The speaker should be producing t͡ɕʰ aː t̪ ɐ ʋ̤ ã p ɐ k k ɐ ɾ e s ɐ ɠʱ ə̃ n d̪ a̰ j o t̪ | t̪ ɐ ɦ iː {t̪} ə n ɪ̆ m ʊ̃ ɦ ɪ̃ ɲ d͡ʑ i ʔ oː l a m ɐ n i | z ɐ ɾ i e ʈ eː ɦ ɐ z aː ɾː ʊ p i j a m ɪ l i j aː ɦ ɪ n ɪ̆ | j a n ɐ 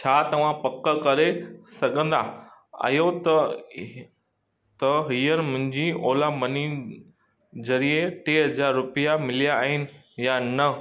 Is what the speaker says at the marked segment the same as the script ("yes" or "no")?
no